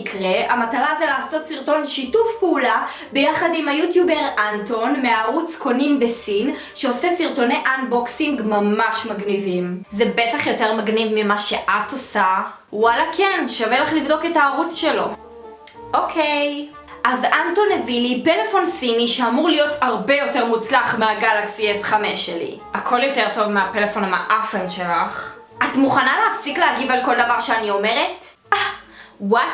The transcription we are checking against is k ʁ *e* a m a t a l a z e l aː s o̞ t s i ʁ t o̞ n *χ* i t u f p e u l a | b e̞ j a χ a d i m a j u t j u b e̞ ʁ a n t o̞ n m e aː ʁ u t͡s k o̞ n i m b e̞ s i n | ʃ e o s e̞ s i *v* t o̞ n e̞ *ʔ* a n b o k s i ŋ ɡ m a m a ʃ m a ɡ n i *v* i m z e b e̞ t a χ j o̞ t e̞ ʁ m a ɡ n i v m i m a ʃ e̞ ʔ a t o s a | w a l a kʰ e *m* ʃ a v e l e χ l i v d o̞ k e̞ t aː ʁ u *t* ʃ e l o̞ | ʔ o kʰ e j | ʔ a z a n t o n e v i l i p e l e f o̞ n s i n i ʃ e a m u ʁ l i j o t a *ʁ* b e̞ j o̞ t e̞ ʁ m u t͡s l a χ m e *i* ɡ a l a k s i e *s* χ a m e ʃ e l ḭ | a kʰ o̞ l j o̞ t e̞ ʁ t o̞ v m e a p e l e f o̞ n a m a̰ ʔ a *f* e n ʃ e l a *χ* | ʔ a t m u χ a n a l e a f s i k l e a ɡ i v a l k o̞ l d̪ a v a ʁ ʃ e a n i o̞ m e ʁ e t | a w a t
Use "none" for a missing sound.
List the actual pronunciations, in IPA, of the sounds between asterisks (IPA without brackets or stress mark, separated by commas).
e, ʃ, ʁ, ʔ, v, n, t͡s, ʁ, a, s, f, χ